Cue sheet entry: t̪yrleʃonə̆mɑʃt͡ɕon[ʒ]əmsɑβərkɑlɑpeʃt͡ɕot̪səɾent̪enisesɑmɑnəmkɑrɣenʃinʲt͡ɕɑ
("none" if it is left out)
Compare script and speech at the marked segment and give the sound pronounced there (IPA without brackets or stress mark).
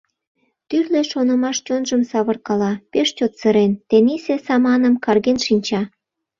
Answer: ʒ